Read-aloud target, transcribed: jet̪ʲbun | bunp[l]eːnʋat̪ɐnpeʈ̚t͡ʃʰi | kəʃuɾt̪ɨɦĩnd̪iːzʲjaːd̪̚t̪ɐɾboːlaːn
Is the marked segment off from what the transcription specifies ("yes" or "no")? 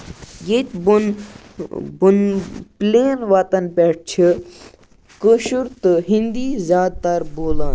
no